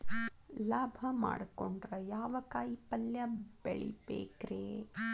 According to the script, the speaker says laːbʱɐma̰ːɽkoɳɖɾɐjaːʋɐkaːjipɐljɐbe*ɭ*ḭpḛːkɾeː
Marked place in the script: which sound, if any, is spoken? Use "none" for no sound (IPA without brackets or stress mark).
ɭ